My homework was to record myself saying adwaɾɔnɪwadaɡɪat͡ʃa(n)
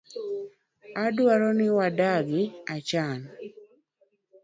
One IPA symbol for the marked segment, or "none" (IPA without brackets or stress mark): n